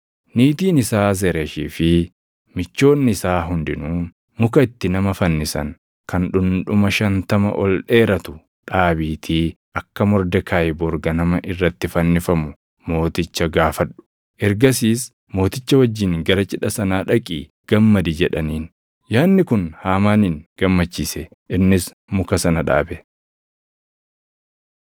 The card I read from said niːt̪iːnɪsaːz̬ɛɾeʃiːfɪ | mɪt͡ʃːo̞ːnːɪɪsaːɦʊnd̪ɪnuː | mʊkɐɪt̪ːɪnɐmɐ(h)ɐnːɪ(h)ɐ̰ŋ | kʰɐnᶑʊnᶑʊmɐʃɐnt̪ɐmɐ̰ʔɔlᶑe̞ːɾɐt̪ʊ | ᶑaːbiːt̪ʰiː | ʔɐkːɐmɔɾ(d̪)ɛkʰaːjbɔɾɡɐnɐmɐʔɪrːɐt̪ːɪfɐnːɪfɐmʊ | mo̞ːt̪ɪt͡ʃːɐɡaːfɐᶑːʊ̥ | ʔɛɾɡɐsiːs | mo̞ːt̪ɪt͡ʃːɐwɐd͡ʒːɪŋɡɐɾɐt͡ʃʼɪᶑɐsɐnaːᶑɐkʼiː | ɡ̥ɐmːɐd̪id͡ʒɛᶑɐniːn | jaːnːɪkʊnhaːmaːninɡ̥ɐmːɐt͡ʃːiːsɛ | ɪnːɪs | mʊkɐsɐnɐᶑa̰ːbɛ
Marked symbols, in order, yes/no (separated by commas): no, no, yes